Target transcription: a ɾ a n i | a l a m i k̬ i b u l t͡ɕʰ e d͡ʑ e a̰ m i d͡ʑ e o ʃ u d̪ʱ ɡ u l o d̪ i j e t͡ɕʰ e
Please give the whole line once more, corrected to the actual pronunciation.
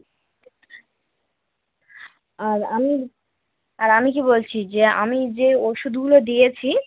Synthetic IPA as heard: a ɾ a m i | a ɾ a m i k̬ i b o l t͡ɕʰ i d͡ʑ e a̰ m i d͡ʑ e o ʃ u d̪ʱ ɡ u l o d̪ i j e t͡ɕʰ i